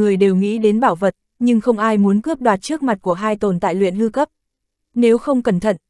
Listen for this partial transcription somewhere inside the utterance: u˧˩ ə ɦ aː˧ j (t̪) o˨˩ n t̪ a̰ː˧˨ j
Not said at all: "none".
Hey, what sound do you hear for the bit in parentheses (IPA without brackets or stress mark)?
t̪